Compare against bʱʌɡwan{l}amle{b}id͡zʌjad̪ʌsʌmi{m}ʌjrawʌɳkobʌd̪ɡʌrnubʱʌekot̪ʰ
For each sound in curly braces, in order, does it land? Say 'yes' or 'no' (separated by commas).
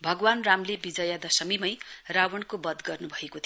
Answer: no, yes, yes